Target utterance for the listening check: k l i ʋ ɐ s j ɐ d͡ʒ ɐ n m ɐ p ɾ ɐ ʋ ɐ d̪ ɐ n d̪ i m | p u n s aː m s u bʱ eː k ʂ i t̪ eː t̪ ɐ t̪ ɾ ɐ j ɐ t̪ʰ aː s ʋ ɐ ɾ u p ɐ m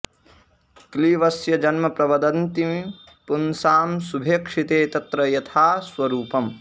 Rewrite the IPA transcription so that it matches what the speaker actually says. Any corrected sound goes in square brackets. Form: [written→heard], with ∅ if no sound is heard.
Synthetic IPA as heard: k l i ʋ ɐ s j ɐ d͡ʒ ɐ n m ɐ p ɾ ɐ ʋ ɐ d̪ ɐ n [d̪→t̪] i m | p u n s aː m s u bʱ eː k ʂ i t̪ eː t̪ ɐ t̪ ɾ ɐ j ɐ t̪ʰ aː s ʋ ɐ ɾ [u→uː] p ɐ m